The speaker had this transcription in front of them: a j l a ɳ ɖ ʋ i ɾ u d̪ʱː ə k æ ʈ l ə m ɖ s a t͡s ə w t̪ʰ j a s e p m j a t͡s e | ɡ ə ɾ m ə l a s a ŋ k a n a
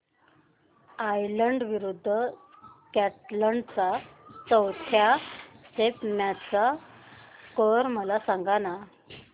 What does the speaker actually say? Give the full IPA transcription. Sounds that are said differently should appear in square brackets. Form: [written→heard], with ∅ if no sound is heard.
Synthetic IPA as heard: a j l [a→ə] ɳ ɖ ʋ i ɾ u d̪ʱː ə k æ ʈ l ə [m→ɳ] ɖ [s→t͡s] a t͡s ə w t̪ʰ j a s e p m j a t͡s [e→a] | [ɡ→k] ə ɾ m ə l a s a ŋ [k→ɡ] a n a